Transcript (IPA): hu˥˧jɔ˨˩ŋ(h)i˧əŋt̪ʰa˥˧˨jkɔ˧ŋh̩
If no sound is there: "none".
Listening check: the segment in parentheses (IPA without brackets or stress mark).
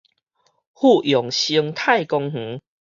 ɕ